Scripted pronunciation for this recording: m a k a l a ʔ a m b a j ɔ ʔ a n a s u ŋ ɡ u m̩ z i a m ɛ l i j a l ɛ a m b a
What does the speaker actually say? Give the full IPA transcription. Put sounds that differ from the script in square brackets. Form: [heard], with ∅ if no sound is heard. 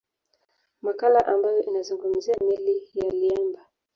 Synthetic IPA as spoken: m a k a l a ʔ a m b a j ɔ ʔ [i] n a [z] u ŋ ɡ u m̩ z i a m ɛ l i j a l [i] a m b a